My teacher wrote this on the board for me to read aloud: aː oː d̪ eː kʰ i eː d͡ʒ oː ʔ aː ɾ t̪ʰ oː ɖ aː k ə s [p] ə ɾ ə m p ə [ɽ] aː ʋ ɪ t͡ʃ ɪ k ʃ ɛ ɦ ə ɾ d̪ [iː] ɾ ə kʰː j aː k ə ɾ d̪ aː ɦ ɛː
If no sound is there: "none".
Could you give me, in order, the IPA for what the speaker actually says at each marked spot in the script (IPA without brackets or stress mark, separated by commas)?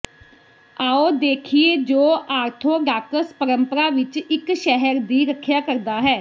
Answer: p, ɾ, iː